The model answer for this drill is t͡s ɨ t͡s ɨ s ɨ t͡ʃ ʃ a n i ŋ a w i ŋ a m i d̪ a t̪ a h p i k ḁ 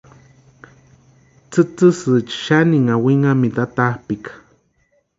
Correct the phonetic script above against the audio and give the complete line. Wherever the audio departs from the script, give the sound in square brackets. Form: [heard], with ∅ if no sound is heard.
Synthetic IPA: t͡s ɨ t͡s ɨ s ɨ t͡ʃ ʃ a n i ŋ a w i ŋ a m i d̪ a t̪ a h p i k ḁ